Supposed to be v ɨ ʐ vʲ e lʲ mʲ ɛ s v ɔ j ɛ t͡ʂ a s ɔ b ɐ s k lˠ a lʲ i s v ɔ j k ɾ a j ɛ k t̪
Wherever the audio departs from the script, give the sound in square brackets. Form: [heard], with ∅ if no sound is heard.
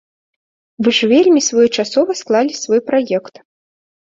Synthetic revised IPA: v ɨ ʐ vʲ e lʲ mʲ [i] s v ɔ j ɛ t͡ʂ a s ɔ [v] ɐ s k lˠ a lʲ i s v ɔ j [p] ɾ a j ɛ k t̪